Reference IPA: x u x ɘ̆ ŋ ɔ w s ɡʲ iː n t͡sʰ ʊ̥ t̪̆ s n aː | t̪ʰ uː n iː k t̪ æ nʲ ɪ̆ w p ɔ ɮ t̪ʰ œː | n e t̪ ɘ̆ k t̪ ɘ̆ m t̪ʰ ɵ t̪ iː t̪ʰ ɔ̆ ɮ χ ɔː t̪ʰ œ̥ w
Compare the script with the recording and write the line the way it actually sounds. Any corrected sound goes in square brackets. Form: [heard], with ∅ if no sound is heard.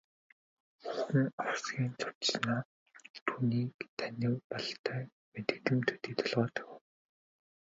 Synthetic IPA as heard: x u x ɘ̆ ŋ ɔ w s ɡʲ iː n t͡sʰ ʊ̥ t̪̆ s n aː | t̪ʰ uː n iː k [t̪ʰ] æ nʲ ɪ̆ w p ɔ ɮ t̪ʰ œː | [m] e t̪ ɘ̆ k t̪ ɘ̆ m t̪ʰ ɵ t̪ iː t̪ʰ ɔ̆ ɮ [ʁ] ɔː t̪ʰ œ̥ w

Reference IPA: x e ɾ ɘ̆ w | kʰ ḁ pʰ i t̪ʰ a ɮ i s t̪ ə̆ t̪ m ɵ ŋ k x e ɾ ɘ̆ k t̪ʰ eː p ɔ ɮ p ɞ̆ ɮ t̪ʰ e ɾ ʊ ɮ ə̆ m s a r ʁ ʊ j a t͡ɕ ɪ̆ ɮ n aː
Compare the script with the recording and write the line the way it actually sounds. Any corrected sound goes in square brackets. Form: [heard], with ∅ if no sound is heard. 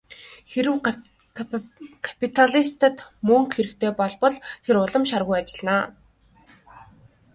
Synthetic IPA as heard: x e ɾ ɘ̆ w | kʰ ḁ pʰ i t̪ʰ a ɮ i s t̪ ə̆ t̪ m ɵ ŋ k x e ɾ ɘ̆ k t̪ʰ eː p ɔ ɮ p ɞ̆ ɮ t̪ʰ e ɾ ʊ ɮ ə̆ m [ʃ] a r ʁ ʊ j a t͡ɕ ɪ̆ ɮ n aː

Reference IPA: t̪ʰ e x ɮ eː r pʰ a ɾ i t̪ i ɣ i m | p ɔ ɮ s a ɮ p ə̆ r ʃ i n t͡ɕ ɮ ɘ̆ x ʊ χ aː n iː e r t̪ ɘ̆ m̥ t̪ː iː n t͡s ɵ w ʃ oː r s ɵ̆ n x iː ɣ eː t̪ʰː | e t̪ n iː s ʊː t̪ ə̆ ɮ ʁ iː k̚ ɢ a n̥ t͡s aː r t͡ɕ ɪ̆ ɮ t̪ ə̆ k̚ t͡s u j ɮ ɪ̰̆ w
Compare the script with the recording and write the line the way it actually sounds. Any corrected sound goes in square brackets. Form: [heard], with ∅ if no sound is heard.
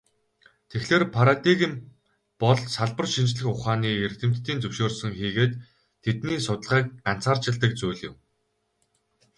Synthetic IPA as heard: t̪ʰ e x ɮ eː r pʰ a ɾ [a] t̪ i ɣ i m | p ɔ ɮ s a ɮ p ə̆ r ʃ i n t͡ɕ ɮ ɘ̆ x ʊ χ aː n iː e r t̪ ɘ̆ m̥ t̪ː iː n t͡s ɵ w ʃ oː r s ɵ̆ [ŋ] x iː ɣ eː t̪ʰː | e t̪ n iː s [ʊ] t̪ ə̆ ɮ ʁ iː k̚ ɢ a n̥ t͡s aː r t͡ɕ ɪ̆ ɮ t̪ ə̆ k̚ t͡s u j ɮ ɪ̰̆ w

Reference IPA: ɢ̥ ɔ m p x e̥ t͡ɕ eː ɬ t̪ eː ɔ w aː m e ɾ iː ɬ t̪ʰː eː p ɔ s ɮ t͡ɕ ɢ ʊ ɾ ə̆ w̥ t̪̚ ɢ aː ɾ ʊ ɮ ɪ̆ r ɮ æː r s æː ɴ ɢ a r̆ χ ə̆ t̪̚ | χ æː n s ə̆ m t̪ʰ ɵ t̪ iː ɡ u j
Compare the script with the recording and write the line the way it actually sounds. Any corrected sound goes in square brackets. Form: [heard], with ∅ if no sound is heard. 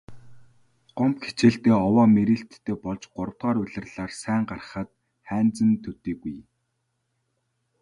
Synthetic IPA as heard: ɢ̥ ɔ m p x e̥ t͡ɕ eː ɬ t̪ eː ɔ w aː m e ɾ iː ɬ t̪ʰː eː p ɔ [∅] ɮ t͡ɕ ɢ ʊ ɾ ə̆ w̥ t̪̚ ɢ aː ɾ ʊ ɮ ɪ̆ r ɮ [aː] r s æː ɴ ɢ a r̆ χ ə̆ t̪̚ | χ æː n [t͡s] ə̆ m t̪ʰ ɵ t̪ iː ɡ u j

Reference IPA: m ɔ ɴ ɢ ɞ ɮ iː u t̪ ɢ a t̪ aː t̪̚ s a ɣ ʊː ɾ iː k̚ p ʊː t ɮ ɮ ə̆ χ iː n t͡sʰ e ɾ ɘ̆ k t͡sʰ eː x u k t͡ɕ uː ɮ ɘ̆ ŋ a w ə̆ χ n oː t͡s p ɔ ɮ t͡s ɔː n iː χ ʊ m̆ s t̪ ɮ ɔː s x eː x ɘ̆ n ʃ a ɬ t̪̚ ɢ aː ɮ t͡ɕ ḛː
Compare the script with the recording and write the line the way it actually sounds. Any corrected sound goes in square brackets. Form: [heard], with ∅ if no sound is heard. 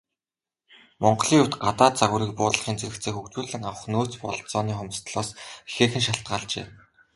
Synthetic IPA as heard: m ɔ ɴ ɢ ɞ ɮ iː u t̪ ɢ a t̪ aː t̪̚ [t͡s] a ɣ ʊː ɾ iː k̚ p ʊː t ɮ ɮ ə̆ χ iː n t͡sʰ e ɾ ɘ̆ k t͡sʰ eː x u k t͡ɕ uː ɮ ɘ̆ ŋ a w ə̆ χ n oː t͡s p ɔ ɮ t͡s ɔː n iː χ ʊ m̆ s t̪ ɮ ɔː s x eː x ɘ̆ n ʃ a ɬ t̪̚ ɢ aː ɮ t͡ɕ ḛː

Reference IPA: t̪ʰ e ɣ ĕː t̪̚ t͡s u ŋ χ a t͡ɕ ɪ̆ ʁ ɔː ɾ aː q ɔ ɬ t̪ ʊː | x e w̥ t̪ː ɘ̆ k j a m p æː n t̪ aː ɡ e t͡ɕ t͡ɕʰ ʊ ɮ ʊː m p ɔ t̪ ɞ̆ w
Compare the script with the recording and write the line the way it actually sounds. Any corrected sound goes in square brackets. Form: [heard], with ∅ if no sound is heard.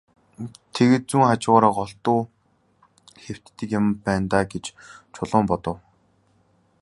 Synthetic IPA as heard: t̪ʰ e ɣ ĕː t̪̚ t͡s u ŋ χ a t͡ɕ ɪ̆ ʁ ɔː ɾ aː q ɔ ɬ t̪ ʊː | x e w̥ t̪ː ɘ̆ k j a m p æː n t̪ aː ɡ e t͡ɕ t͡ɕʰ ʊ ɮ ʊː m p ɔ t̪ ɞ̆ w

